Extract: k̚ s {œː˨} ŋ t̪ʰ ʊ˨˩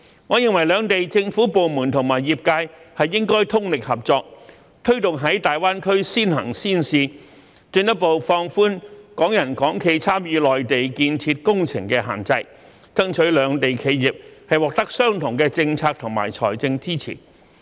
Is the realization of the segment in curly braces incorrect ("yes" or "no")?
yes